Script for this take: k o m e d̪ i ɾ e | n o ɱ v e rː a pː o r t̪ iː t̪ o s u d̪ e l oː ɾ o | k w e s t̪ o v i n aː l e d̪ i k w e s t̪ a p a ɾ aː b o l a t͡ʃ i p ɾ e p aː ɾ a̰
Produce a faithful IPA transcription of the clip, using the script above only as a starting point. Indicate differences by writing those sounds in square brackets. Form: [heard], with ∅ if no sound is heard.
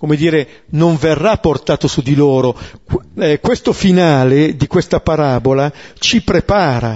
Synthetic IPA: k o m e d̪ [iː] ɾ e | n o ɱ v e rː a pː o r t̪ [aː] t̪ o s u d̪ [i] l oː ɾ o | k w e s t̪ o [f] i n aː l e d̪ i k w e s t̪ a p a ɾ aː b o l a t͡ʃ i p ɾ e p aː ɾ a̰